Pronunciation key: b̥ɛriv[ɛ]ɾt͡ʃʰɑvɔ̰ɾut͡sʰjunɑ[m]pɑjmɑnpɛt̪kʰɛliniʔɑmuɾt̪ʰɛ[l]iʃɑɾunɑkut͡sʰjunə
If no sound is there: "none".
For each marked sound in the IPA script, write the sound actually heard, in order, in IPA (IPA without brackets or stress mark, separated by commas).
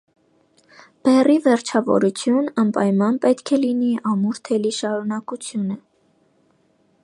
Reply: ɛ, m, l